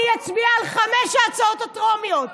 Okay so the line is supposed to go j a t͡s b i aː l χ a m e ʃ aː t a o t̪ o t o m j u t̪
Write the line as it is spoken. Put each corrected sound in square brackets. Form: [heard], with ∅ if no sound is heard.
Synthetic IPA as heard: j a t͡s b i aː l χ a m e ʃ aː [t͡s] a o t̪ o t o m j [o] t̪